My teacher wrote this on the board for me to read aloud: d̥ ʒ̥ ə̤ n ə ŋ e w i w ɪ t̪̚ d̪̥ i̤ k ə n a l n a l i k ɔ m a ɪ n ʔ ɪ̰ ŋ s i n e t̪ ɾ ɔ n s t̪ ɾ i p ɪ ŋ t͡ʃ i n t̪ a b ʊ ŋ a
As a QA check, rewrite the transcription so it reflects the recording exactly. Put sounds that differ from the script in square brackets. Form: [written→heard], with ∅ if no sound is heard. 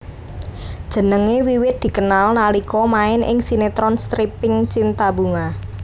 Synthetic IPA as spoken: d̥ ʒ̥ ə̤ n ə ŋ e w i w ɪ t̪̚ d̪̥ i̤ k ə n a l n a l i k ɔ m a ɪ n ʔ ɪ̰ ŋ s i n e t̪ ɾ ɔ n s t̪ ɾ i p ɪ ŋ t͡ʃ i n t̪ a b [ʊ→u] ŋ a